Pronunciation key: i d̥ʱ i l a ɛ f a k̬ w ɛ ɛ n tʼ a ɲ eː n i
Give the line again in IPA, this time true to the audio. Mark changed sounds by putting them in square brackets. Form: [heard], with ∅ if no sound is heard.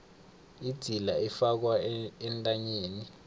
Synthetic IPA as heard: i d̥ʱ i l a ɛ f a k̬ w [a] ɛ n tʼ a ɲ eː n i